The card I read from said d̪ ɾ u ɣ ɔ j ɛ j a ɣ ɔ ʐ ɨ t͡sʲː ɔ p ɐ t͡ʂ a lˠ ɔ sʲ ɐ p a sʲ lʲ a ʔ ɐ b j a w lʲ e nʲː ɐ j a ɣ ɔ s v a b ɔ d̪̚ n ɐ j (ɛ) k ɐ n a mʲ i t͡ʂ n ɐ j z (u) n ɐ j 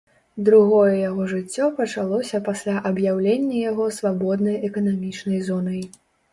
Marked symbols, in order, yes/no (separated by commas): yes, no